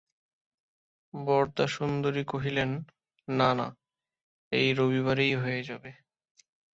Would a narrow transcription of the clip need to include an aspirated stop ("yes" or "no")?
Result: no